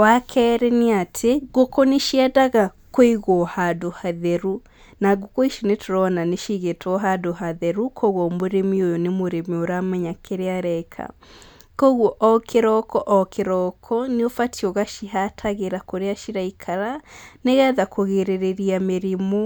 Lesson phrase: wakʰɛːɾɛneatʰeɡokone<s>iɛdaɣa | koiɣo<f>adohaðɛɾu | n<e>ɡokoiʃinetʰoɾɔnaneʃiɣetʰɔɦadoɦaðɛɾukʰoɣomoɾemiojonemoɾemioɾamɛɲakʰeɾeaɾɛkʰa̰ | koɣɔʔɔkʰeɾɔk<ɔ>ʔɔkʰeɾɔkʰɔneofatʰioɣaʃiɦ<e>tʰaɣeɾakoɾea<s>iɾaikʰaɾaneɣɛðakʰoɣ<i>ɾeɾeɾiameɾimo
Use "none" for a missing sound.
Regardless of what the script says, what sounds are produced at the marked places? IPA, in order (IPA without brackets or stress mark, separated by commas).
ʃ, h, a, ɔ, a, ʃ, e